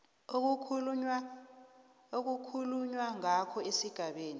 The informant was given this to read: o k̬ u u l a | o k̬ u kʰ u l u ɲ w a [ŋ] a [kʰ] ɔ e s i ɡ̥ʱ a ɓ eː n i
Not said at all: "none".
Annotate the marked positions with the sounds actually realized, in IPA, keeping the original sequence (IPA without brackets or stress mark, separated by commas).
ŋ, kʰ